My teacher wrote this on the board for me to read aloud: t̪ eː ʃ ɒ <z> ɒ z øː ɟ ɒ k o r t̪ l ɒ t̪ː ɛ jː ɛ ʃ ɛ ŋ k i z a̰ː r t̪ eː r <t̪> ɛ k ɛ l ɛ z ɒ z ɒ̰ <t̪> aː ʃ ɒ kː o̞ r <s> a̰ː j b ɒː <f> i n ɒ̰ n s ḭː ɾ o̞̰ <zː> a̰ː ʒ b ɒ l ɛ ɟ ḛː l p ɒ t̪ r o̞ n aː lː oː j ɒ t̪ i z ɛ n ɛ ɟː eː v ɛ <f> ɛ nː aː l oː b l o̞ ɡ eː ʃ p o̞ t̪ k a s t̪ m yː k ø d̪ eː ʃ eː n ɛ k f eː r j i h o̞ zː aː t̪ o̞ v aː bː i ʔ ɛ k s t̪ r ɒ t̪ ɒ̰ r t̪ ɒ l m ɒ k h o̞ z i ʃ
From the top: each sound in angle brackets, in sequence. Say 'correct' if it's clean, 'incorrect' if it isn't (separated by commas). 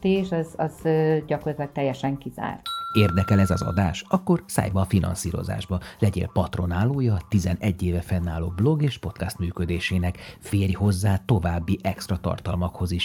correct, incorrect, incorrect, correct, correct, incorrect, correct